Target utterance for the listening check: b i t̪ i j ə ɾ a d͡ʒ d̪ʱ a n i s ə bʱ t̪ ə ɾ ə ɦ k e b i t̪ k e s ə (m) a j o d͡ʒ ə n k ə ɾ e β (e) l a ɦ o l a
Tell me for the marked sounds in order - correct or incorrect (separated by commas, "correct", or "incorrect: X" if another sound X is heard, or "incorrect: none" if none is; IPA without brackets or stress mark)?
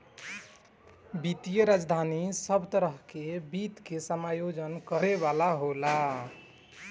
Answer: correct, incorrect: a